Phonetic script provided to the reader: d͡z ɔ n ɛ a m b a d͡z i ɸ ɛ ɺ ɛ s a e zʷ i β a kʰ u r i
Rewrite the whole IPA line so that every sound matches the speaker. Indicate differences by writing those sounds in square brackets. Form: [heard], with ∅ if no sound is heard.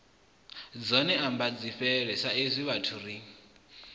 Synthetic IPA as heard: d͡z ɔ n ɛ a m b a d͡z i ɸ ɛ ɺ ɛ s a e zʷ i β a [tʰ] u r i